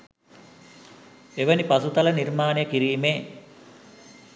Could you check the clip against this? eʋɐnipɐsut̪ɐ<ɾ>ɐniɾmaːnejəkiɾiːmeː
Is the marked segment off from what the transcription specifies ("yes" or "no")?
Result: yes